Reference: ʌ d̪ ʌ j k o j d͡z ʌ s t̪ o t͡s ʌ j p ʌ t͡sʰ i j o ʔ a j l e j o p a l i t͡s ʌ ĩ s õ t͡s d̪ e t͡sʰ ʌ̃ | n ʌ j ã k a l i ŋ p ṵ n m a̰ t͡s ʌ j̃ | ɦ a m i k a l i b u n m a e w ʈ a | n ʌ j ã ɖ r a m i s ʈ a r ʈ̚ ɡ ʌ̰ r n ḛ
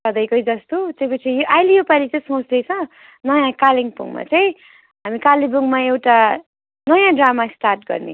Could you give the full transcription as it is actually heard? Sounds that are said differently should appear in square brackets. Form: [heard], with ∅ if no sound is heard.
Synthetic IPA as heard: ʌ d̪ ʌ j k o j d͡z ʌ s t̪ o t͡s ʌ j p ʌ t͡sʰ i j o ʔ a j l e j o p a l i t͡s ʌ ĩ s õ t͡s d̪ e t͡sʰ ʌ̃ | n ʌ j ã k a l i ŋ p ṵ [ŋ] m a̰ t͡s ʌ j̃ | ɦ a m i k a l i b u [ŋ] m a e w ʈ a | n ʌ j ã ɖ r a m [a] s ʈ a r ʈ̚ ɡ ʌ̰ r n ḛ